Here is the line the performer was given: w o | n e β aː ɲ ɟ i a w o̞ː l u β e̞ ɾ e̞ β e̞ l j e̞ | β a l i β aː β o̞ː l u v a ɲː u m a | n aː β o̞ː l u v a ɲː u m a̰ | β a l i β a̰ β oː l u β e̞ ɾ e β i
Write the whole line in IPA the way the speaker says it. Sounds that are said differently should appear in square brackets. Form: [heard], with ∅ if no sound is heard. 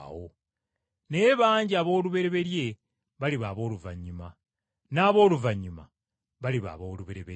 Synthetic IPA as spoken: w o | n e β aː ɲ ɟ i a [β] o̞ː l u β e̞ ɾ e̞ β e̞ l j e̞ | β a l i β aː β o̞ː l u v a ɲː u m a | n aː β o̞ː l u v a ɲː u m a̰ | β a l i β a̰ β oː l u β e̞ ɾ e β [e]